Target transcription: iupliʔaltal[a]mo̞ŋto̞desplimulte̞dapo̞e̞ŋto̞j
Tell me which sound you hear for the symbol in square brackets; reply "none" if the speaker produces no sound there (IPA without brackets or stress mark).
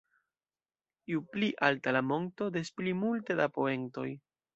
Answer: a